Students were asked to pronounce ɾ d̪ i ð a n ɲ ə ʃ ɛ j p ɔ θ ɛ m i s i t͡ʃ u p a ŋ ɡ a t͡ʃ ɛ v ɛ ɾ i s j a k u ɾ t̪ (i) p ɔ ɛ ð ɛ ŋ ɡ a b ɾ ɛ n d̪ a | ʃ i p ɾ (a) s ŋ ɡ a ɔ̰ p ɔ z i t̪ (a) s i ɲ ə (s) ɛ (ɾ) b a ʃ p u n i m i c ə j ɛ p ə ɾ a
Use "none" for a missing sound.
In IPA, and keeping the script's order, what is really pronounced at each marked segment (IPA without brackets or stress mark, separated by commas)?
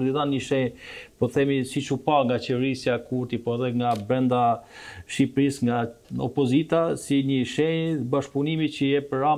i, i, a, ʃ, none